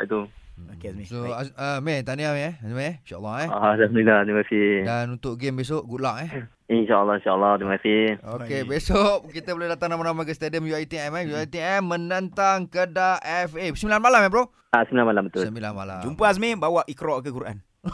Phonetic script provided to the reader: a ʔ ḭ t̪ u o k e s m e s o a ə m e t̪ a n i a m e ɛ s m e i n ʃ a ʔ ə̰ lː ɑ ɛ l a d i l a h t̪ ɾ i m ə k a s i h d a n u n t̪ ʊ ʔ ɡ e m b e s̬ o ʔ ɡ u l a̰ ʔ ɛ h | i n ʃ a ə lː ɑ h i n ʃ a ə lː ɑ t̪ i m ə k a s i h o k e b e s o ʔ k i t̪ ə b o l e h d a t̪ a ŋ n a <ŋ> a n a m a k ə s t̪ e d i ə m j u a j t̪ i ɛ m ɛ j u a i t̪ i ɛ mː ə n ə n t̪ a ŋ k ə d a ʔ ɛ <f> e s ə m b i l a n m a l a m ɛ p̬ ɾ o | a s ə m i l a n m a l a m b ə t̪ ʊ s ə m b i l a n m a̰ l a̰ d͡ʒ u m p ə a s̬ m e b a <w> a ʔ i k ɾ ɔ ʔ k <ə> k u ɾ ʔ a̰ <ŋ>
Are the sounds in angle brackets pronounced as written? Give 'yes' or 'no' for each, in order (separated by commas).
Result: no, yes, yes, yes, no